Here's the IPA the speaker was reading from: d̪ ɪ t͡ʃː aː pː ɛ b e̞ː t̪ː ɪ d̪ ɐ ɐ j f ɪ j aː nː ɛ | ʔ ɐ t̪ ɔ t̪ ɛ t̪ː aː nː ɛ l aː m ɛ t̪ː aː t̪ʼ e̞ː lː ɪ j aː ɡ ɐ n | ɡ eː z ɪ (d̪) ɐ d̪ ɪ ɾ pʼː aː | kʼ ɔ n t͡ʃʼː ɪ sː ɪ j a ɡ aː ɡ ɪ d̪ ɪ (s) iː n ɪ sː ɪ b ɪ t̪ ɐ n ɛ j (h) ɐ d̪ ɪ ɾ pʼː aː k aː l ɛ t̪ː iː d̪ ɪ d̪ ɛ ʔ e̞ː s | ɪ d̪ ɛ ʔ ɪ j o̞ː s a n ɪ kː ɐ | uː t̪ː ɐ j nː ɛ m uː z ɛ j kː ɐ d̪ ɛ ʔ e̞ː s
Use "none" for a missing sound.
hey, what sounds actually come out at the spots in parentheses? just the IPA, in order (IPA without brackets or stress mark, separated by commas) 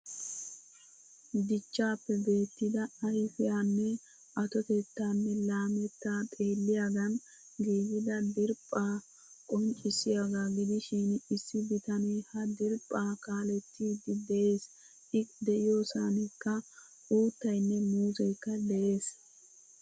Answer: d̪, ʃ, h